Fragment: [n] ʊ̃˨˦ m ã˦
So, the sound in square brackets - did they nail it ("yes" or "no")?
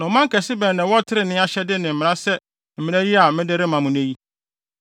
yes